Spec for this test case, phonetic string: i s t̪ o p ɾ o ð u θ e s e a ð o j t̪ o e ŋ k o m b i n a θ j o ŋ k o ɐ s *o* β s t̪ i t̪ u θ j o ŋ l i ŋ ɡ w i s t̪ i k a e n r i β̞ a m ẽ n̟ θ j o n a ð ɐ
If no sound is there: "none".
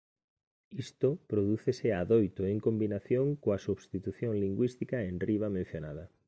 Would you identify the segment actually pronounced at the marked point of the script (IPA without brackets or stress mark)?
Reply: u